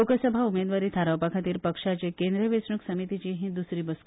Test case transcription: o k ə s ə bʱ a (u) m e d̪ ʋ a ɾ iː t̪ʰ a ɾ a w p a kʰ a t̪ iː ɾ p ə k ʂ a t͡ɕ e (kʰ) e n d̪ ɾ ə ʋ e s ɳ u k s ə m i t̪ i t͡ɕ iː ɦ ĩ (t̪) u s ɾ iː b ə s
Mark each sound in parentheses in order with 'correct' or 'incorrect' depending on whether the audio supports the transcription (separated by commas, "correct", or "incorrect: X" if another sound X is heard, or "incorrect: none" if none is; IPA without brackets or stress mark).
correct, incorrect: k, incorrect: d̪